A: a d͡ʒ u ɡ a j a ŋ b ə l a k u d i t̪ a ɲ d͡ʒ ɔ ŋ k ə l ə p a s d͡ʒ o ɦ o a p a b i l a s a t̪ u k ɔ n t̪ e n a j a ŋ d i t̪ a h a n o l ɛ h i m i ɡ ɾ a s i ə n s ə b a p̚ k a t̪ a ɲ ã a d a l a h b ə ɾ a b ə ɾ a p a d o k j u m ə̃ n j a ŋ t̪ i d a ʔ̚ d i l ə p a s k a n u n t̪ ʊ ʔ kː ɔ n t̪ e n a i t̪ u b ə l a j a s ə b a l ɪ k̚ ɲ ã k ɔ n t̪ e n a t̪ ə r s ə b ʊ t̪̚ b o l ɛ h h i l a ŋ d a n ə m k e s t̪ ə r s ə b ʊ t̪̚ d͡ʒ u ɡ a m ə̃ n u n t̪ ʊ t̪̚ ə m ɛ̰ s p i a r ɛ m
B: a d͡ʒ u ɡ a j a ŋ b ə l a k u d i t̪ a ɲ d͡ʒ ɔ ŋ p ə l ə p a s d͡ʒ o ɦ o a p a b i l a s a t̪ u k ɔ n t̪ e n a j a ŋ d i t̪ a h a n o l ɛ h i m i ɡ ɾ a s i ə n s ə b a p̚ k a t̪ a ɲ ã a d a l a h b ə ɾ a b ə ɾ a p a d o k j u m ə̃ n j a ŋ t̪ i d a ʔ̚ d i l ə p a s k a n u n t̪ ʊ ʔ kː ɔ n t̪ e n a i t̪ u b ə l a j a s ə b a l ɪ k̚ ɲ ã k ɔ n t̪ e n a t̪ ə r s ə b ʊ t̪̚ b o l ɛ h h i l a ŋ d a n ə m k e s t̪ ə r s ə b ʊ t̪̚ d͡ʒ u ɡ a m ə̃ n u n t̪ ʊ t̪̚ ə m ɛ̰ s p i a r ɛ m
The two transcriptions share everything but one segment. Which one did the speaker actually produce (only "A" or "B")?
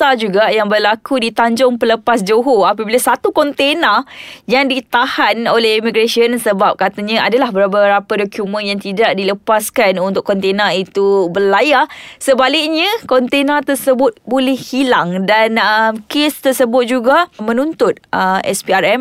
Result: B